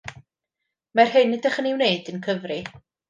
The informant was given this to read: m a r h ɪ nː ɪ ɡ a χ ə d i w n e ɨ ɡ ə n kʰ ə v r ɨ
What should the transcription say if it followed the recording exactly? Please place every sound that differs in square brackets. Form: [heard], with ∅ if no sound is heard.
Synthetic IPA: m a r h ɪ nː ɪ [d] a χ ə [n] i w n e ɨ [d] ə n kʰ ə v r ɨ